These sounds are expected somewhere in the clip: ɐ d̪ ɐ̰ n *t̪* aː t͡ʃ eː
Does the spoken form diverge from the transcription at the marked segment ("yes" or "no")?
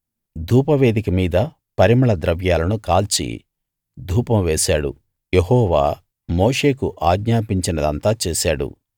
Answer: no